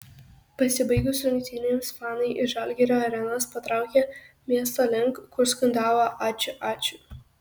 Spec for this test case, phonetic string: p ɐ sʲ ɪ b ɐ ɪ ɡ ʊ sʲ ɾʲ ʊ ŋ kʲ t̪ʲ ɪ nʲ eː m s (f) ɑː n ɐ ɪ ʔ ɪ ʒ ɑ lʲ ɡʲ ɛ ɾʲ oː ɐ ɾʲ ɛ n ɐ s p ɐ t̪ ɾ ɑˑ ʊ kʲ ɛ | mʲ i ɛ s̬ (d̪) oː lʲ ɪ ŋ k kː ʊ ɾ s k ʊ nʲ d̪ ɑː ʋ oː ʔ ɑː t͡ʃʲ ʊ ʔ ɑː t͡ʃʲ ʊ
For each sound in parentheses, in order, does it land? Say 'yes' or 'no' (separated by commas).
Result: yes, no